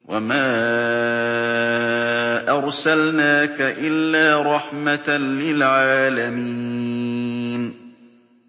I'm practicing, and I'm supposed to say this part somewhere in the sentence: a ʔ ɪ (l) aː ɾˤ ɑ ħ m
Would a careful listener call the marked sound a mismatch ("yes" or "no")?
yes